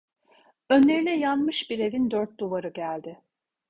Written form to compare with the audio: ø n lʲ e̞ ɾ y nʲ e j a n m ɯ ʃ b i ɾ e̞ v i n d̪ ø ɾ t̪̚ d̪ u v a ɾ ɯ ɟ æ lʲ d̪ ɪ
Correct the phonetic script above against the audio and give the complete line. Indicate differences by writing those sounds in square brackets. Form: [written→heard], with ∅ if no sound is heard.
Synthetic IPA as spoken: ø n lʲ e̞ ɾ [y→i] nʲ [e→ɛ] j a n m ɯ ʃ b i ɾ e̞ v i n d̪ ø ɾ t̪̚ d̪ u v a ɾ ɯ ɟ æ lʲ d̪ ɪ